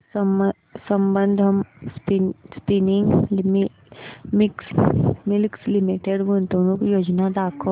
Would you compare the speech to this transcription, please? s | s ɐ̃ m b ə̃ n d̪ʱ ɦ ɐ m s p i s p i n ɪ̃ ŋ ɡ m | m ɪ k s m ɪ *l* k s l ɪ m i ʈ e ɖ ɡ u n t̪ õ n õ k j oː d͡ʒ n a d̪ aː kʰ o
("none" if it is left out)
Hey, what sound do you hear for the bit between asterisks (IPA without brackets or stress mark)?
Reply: l